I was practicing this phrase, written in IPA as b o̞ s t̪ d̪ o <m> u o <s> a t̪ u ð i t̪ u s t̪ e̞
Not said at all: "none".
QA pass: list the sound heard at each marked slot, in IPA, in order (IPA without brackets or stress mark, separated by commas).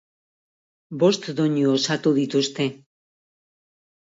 ɲ, s